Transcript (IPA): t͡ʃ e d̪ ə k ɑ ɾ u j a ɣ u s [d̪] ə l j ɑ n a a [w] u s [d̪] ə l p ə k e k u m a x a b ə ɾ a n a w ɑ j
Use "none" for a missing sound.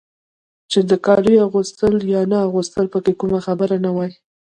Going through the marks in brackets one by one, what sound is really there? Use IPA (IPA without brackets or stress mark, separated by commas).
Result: t̪, ɣ, t̪